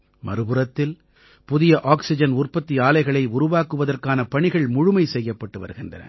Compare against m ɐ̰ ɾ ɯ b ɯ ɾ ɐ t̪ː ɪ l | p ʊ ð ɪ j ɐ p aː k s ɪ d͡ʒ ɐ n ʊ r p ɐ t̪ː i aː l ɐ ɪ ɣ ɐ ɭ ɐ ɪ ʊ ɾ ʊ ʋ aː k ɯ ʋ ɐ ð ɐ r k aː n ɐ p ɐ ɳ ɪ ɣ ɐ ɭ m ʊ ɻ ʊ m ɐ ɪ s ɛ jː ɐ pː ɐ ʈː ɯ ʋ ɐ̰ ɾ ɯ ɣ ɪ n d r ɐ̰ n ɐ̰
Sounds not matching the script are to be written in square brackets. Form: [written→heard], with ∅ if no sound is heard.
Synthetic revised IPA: m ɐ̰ ɾ ɯ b ɯ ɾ ɐ t̪ː ɪ l | p ʊ ð ɪ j ɐ [p→ʔ] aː k s ɪ d͡ʒ ɐ n ʊ r p ɐ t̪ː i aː l ɐ ɪ ɣ ɐ ɭ ɐ ɪ ʊ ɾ ʊ ʋ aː k ɯ ʋ ɐ ð ɐ r k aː n ɐ p ɐ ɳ ɪ ɣ ɐ ɭ m ʊ ɻ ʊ m ɐ ɪ s ɛ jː ɐ pː ɐ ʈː ɯ ʋ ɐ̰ ɾ ɯ ɣ ɪ n d r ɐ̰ n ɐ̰